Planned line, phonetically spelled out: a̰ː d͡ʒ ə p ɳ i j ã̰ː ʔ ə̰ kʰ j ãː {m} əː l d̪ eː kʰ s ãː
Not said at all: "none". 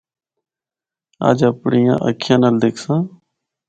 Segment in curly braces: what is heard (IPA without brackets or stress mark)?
n